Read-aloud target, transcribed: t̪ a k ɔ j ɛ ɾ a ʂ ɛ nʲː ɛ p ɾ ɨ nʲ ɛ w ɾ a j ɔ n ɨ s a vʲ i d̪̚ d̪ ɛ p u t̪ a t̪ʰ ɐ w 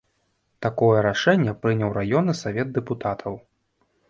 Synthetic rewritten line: t̪ a k ɔ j ɛ ɾ a ʂ ɛ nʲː ɛ p ɾ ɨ nʲ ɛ w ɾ a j ɔ n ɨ s a vʲ ɛ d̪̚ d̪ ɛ p u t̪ a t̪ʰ ɐ w